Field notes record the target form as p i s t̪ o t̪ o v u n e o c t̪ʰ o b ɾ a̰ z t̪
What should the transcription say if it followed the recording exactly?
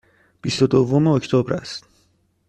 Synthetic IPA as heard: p i s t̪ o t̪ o v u m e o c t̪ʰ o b ɾ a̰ s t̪